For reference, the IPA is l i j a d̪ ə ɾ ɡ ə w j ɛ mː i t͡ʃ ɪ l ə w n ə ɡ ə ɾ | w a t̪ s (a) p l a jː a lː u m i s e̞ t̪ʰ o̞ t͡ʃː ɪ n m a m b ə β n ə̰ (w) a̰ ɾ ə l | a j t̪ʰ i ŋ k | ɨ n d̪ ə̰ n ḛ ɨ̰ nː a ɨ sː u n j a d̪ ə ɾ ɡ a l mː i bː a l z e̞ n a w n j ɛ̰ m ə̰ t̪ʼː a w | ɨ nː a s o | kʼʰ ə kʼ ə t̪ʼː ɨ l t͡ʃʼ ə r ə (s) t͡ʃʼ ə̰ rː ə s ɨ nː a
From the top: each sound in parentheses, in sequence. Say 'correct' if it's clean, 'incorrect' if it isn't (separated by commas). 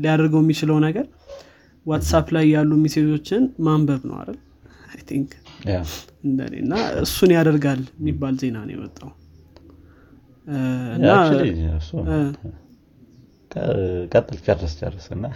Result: correct, correct, correct